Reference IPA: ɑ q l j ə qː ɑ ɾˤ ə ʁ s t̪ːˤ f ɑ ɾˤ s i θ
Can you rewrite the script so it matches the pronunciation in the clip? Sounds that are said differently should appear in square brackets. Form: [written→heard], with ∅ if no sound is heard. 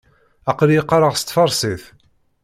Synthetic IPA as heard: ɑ q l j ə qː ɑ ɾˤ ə ʁ s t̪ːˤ f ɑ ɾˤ s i θ